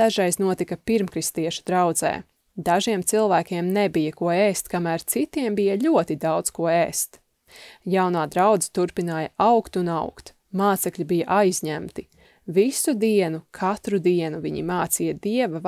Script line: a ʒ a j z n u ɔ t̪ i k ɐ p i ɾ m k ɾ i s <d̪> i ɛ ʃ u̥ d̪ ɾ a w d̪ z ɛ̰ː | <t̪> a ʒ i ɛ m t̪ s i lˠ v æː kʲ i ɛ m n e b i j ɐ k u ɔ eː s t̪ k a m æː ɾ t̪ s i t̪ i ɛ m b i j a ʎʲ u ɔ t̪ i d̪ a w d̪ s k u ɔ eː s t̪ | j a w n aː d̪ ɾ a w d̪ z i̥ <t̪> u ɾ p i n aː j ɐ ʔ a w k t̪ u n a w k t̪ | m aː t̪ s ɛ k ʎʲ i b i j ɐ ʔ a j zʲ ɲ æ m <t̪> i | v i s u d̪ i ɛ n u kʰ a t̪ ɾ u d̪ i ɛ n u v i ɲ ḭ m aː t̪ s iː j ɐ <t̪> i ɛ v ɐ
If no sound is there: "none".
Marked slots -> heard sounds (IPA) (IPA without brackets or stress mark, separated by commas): t̪, d̪, t̪, t̪, d̪